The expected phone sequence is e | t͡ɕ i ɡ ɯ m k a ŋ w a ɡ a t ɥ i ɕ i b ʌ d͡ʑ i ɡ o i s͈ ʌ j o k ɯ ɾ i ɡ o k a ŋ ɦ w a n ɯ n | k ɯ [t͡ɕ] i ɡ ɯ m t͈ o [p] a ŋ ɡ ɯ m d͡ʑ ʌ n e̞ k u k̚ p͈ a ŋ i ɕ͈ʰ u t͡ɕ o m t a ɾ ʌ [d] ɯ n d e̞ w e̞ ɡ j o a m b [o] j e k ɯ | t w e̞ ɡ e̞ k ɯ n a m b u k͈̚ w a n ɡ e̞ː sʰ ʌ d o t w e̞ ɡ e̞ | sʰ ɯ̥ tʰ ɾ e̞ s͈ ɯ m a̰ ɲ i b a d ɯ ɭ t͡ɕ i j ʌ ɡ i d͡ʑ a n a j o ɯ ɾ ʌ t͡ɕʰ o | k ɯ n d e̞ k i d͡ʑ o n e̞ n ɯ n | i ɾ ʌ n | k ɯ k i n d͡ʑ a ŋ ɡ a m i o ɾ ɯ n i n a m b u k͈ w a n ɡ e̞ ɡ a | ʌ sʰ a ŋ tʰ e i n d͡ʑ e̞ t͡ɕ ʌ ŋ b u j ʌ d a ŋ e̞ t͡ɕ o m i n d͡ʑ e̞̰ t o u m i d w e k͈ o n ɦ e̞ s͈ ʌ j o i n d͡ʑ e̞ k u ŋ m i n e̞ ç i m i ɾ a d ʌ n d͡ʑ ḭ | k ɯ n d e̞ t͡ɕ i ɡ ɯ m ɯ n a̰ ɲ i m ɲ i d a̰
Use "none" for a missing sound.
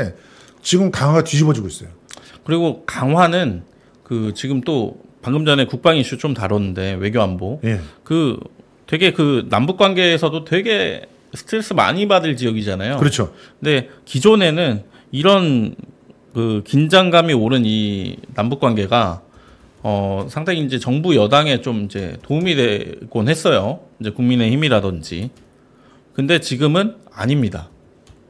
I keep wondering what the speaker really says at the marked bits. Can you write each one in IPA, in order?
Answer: t͡ɕ, p, n, o

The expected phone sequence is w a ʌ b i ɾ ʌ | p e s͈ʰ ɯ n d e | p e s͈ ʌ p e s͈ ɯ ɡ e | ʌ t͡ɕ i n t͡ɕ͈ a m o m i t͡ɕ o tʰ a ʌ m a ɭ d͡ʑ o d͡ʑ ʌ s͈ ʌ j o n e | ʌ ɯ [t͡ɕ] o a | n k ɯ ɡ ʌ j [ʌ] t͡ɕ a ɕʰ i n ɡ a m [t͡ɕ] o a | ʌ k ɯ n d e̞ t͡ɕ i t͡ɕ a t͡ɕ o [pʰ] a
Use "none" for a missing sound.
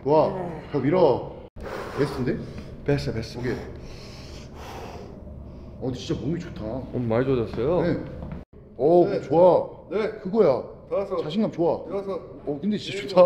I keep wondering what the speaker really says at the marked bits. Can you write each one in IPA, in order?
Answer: t͡ɕ, a, t͡ɕ, tʰ

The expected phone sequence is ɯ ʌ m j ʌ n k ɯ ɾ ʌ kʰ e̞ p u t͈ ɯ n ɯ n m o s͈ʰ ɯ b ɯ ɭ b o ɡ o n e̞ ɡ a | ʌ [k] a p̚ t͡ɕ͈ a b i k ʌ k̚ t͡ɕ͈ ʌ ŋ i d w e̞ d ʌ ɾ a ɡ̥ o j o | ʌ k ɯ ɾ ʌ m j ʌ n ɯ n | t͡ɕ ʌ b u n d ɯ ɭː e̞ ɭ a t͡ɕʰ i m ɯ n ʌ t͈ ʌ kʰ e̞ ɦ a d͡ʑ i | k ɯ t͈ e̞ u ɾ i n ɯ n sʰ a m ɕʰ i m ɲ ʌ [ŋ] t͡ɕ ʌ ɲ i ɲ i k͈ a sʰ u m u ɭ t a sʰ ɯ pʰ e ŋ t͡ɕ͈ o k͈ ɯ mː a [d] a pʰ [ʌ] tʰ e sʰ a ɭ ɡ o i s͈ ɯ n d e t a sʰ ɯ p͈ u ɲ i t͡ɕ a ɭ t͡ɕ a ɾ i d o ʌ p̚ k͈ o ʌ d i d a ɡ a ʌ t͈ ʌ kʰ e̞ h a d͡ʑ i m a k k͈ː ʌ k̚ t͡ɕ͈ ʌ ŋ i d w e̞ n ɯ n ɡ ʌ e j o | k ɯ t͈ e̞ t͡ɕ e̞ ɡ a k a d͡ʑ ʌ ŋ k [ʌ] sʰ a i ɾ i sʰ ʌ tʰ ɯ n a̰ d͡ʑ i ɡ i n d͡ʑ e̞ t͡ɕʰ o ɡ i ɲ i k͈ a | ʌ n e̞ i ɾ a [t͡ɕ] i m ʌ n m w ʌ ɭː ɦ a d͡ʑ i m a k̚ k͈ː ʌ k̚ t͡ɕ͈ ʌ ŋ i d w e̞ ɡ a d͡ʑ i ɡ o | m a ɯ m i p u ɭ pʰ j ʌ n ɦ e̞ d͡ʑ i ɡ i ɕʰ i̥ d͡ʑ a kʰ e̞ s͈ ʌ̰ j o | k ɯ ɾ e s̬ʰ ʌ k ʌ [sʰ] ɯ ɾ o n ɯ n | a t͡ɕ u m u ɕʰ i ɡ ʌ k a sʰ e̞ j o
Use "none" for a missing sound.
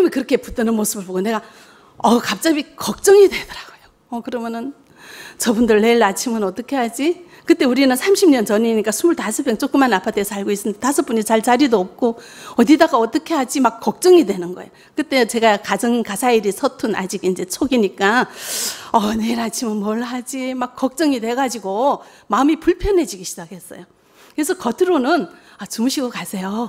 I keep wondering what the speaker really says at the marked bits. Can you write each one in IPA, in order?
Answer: k, n, n, a, a, t͡ɕʰ, tʰ

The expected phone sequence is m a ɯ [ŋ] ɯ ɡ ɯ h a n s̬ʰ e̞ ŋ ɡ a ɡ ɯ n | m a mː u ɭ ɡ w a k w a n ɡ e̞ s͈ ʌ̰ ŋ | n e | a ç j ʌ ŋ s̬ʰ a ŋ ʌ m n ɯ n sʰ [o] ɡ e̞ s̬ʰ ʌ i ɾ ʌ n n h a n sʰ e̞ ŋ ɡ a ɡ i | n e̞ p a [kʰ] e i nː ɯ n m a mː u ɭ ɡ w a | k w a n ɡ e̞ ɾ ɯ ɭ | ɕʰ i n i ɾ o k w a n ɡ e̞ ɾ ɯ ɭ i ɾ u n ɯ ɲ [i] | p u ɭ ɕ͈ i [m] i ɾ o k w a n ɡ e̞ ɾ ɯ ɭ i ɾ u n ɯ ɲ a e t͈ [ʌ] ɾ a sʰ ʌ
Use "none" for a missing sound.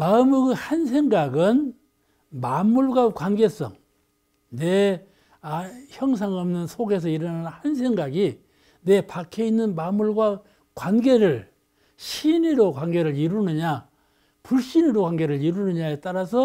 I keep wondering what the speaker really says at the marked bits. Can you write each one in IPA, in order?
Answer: m, o, kʰ, a, n, a

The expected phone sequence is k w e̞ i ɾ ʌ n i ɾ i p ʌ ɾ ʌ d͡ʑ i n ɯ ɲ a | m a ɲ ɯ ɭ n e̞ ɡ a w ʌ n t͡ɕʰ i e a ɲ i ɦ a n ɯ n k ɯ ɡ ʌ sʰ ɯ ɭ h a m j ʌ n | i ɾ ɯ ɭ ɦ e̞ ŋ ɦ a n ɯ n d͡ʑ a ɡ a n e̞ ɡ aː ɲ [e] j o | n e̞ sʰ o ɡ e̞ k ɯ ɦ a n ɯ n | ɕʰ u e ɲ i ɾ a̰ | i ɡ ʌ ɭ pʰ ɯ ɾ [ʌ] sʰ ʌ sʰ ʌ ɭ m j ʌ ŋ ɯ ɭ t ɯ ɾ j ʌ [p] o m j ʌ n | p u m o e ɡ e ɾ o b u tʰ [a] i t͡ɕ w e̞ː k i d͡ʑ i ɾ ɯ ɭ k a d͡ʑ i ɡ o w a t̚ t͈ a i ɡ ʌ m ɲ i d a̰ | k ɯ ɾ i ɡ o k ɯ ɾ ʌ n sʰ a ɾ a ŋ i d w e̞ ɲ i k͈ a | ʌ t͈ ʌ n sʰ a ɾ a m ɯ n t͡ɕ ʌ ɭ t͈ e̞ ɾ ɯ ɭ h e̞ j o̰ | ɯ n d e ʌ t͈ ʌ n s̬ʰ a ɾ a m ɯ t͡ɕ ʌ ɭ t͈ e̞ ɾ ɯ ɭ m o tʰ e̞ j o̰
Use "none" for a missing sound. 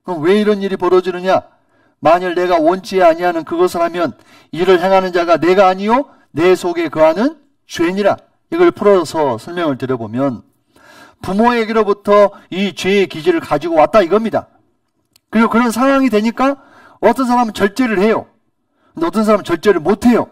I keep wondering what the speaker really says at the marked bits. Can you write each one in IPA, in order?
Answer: i, ʌ, b, ʌ

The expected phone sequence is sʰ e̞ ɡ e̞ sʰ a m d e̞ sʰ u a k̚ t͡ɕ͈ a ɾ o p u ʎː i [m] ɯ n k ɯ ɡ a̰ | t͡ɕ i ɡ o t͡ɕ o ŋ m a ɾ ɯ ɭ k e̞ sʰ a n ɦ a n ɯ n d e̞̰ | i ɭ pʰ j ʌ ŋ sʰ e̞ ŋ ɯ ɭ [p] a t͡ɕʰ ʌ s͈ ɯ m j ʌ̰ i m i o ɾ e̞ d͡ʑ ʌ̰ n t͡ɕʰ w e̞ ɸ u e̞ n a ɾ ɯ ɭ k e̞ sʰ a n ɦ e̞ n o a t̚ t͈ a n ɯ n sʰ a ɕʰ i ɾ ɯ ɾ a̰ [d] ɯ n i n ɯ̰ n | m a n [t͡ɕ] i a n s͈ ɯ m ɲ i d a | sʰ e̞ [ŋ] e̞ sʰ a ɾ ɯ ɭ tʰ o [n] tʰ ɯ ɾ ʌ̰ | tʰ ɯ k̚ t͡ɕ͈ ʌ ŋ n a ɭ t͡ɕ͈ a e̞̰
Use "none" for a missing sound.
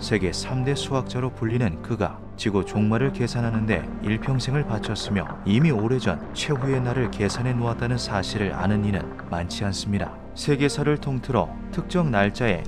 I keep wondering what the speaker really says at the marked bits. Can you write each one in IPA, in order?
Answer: n, p, n, t͡ɕʰ, ɡ, ŋ

